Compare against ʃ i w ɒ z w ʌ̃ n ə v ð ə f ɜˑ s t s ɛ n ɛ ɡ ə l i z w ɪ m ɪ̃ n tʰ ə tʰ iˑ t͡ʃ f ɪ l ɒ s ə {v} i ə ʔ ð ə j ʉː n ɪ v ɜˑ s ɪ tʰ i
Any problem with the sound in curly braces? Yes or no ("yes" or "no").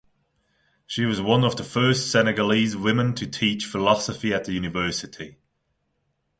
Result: yes